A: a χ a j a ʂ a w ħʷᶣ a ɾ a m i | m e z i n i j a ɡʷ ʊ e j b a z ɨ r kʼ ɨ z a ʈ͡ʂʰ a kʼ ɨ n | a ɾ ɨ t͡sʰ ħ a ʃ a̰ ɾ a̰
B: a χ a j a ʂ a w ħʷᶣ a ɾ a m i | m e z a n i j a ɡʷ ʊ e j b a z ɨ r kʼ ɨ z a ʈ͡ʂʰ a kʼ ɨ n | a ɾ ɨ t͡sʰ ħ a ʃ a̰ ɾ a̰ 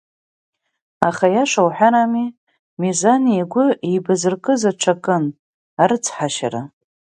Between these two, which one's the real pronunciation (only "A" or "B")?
B